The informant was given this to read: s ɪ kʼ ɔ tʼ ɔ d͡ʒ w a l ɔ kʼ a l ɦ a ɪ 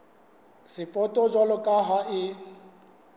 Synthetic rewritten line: s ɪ pʼ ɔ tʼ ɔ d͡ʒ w a l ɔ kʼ a ɦ a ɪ